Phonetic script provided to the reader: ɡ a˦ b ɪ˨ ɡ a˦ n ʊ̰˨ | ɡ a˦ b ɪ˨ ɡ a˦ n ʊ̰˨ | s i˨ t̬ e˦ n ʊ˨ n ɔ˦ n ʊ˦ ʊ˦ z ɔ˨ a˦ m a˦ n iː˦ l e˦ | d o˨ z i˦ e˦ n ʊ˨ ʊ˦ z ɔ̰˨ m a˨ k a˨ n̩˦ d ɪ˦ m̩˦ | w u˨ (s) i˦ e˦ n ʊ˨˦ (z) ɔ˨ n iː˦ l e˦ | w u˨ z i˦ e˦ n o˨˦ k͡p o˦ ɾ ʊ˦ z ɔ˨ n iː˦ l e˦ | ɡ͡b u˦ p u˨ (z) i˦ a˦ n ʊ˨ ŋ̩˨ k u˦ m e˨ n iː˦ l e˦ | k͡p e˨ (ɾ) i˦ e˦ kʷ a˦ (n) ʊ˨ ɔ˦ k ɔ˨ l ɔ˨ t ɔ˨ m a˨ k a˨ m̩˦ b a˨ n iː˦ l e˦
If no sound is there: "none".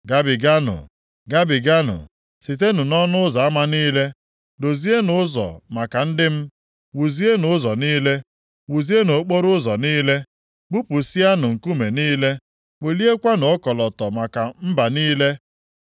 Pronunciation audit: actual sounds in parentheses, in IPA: z, z, s, l, n

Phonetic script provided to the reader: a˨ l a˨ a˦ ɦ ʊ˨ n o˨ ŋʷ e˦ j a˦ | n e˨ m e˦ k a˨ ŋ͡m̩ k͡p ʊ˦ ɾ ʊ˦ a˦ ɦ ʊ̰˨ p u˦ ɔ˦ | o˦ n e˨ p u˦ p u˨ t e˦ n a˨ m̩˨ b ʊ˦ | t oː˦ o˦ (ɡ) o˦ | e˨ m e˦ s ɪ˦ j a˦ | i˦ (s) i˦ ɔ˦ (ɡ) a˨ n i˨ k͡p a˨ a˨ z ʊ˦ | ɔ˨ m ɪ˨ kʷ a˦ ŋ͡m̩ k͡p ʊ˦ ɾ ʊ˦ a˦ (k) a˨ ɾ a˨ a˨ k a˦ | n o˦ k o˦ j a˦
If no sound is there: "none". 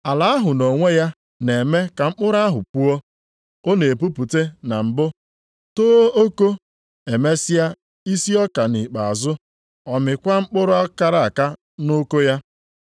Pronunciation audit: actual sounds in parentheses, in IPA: k, s, k, k

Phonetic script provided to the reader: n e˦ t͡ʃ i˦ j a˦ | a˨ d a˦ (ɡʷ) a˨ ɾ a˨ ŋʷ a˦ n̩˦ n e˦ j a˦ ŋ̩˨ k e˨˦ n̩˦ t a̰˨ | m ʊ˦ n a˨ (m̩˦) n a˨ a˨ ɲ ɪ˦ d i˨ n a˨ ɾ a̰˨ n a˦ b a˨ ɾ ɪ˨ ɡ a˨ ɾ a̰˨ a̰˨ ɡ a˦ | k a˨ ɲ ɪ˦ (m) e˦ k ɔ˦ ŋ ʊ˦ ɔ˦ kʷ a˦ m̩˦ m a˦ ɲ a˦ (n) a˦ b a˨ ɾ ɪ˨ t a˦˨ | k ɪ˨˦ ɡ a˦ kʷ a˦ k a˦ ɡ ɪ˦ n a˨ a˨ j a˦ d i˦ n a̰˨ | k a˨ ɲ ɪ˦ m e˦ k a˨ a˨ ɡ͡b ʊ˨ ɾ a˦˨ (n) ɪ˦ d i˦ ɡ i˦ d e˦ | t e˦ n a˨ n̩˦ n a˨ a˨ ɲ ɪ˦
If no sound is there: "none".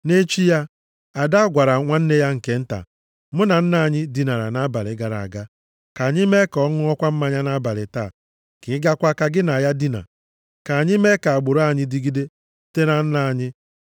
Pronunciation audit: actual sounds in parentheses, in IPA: ɡʷ, n̩˦, m, n, ɲ

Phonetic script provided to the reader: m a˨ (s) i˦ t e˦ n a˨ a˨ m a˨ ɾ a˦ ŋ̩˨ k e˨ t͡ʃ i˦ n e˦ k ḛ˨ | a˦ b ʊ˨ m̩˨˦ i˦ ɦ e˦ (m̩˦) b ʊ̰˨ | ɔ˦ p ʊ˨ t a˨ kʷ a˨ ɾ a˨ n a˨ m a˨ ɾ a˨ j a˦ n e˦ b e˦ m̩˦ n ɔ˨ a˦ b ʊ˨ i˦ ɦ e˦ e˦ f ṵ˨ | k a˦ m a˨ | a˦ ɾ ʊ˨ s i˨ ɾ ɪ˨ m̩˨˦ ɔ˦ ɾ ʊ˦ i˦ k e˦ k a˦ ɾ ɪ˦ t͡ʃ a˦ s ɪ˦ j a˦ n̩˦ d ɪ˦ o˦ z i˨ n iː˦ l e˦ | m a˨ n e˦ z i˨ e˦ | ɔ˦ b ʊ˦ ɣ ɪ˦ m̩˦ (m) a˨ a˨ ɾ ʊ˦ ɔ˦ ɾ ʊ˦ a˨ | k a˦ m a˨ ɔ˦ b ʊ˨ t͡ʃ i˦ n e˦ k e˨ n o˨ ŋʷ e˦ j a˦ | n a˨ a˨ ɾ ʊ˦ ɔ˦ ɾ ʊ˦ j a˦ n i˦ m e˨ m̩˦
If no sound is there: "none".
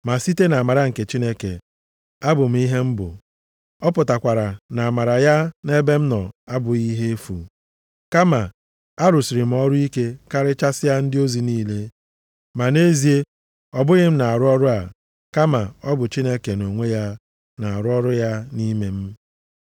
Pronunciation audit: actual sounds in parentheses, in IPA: s, m̩˦, n

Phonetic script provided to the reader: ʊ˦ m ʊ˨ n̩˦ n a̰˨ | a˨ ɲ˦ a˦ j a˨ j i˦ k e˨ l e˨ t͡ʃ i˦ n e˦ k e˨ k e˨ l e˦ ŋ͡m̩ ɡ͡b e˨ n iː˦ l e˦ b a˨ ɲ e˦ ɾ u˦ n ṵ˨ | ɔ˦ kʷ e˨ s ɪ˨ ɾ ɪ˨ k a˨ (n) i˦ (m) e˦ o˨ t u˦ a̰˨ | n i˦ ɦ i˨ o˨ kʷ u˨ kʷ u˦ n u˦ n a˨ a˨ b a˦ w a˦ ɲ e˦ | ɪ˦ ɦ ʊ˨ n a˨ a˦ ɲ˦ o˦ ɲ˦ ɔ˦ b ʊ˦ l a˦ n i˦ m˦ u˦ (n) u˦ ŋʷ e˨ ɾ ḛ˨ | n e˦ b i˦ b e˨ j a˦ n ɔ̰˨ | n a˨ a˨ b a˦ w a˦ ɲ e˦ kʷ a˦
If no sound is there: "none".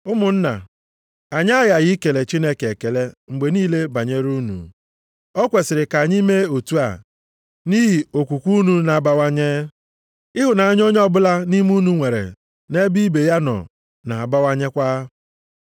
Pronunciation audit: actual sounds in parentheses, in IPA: ɲ, m, n

